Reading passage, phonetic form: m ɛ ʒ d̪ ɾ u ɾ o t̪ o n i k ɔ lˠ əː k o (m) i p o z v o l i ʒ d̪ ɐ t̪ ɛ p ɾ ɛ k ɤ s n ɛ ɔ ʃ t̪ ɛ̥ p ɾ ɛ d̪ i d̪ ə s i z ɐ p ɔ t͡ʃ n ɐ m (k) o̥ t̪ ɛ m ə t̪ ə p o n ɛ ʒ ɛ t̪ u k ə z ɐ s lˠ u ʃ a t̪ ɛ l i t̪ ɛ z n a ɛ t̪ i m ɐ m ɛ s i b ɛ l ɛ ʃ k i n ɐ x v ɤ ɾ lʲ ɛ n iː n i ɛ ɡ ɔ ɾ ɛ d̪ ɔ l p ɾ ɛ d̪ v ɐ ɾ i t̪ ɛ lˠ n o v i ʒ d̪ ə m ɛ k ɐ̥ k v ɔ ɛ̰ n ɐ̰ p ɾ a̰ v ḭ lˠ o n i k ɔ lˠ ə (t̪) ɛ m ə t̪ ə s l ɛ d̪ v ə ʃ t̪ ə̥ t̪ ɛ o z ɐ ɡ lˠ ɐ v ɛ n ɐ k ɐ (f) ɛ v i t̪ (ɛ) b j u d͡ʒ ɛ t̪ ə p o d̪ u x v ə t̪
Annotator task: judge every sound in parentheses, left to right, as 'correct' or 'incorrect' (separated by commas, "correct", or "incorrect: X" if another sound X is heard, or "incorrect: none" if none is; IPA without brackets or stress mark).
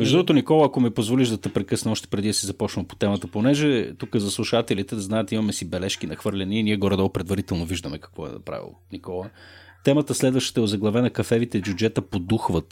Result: correct, incorrect: p, correct, correct, correct